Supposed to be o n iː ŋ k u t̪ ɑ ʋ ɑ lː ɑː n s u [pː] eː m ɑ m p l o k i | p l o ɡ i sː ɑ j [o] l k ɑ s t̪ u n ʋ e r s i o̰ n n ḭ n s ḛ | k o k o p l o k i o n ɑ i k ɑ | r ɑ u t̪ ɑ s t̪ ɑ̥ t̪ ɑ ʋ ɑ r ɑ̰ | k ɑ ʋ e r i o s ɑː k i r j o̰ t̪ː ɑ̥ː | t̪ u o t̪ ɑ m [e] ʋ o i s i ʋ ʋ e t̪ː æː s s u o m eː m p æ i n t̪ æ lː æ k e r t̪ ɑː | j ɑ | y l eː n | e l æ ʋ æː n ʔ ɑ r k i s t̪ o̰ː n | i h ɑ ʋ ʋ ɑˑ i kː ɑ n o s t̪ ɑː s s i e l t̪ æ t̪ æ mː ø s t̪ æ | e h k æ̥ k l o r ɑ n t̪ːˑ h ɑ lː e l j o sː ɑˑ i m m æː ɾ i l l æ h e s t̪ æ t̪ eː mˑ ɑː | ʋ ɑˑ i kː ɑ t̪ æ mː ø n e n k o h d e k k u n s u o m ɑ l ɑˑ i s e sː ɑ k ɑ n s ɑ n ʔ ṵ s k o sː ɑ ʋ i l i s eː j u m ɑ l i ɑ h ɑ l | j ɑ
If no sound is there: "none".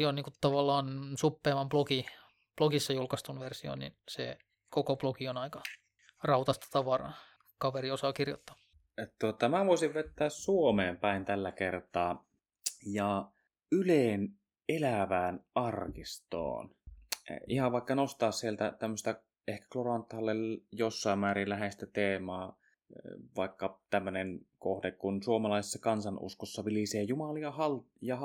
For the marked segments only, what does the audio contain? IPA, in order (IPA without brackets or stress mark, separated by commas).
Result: pː, u, æ